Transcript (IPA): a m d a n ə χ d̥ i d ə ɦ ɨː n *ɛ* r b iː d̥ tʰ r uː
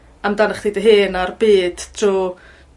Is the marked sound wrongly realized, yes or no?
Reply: yes